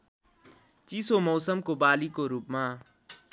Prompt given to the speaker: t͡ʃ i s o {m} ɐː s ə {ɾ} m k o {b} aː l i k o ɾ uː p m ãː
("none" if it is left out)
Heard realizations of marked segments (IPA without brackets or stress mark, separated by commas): m, none, b